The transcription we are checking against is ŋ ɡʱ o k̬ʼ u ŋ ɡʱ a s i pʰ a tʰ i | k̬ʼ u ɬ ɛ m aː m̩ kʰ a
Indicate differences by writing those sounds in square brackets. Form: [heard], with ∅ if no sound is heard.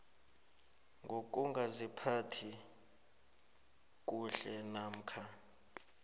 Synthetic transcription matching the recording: ŋ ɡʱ o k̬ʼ u ŋ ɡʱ a [z] i pʰ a tʰ i | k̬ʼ u ɬ ɛ [n] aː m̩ kʰ a